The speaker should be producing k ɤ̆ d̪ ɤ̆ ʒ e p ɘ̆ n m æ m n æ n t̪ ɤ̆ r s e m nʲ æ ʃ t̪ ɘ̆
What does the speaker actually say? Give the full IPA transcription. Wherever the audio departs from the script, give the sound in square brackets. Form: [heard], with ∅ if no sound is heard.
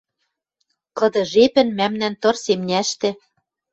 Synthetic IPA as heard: k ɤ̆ d̪ ɤ̆ ʒ e p ɘ̆ n m æ m n æ n t̪ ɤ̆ r s e m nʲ æ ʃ t̪ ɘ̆